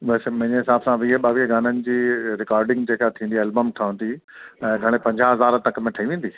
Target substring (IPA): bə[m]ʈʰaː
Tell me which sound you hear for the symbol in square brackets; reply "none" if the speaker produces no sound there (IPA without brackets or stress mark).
m